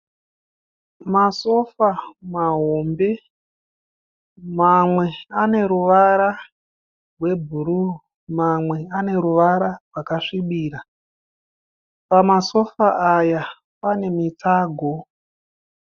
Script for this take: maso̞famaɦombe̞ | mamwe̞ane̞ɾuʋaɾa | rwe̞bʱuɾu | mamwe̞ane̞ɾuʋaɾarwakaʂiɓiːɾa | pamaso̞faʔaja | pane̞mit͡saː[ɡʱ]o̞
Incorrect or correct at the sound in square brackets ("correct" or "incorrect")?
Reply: correct